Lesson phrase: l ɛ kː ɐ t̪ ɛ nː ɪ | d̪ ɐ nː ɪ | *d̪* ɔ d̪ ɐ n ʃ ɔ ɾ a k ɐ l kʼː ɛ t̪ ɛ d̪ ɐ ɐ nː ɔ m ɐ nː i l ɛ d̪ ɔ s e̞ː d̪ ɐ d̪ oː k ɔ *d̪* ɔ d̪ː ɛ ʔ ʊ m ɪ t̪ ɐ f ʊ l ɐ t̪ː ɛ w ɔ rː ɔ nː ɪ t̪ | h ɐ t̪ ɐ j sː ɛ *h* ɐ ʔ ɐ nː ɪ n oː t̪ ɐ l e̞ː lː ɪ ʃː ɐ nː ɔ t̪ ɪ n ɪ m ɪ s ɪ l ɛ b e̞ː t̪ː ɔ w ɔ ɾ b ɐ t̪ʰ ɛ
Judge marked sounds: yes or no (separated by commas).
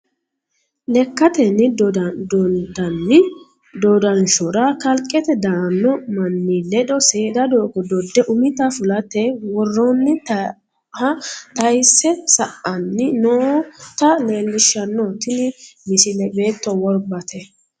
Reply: yes, yes, no